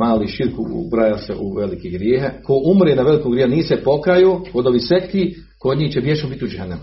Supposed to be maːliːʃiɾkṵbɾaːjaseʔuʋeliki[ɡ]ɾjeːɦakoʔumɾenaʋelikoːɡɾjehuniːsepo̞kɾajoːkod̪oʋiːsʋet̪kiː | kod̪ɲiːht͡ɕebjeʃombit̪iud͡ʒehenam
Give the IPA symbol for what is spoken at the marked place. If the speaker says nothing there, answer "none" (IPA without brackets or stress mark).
ɡ